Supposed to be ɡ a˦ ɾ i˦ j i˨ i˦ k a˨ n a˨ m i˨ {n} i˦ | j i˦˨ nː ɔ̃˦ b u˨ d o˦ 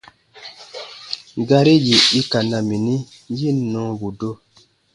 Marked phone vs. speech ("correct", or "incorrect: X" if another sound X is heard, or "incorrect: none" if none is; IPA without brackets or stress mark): correct